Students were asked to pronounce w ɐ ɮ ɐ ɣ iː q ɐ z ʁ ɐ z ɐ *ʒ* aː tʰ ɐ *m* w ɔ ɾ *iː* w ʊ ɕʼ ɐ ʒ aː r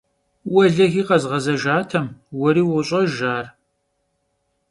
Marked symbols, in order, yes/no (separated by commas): yes, yes, yes